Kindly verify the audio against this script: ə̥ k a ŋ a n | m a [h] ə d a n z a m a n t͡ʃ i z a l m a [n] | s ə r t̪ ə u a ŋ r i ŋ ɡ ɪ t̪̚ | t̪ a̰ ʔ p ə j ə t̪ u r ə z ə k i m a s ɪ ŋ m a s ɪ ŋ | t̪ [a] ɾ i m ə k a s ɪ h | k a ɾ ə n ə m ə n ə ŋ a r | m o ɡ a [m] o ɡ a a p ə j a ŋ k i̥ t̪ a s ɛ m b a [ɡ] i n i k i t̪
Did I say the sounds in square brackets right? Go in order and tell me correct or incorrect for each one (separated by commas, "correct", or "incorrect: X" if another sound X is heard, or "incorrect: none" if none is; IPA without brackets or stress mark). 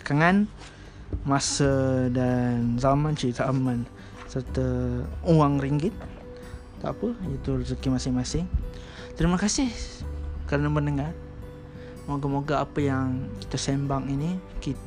incorrect: s, correct, incorrect: ə, correct, incorrect: ŋ